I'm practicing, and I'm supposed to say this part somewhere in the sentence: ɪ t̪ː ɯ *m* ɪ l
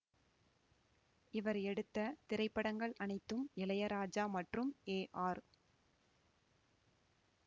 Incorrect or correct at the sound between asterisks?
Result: correct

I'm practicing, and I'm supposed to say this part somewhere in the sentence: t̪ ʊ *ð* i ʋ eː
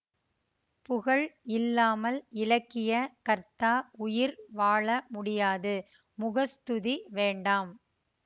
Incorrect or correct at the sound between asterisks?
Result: correct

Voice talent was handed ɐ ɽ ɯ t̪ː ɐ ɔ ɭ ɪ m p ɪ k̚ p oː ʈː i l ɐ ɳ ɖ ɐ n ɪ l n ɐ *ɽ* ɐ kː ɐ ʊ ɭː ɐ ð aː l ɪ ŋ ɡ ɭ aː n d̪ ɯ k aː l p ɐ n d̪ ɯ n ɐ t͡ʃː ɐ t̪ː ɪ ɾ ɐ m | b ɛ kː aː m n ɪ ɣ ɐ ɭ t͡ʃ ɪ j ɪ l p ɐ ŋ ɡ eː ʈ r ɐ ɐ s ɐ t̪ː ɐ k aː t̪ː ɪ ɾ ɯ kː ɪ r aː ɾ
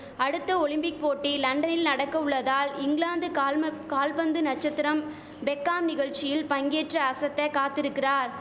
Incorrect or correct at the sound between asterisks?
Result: correct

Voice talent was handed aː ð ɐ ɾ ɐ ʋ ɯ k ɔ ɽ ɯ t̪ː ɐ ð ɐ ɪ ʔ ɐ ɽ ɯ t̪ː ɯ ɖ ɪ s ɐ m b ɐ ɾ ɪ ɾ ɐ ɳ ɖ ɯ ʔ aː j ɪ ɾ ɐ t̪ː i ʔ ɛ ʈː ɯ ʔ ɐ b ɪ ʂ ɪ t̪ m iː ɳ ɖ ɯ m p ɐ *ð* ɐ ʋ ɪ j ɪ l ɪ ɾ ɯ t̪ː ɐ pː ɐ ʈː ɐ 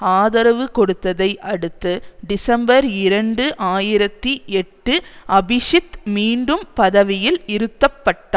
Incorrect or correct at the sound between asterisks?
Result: correct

